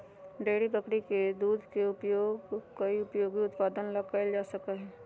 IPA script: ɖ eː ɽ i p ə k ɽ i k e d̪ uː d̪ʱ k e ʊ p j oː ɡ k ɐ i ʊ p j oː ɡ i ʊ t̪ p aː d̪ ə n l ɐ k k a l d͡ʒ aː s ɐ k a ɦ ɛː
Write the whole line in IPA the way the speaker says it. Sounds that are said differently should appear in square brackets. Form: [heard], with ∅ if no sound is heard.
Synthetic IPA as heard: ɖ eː ɽ i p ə k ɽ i k e d̪ uː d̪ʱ k e ʊ p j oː ɡ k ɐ i ʊ p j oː ɡ i ʊ t̪ p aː d̪ ə n l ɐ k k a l d͡ʒ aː s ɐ k a ɦ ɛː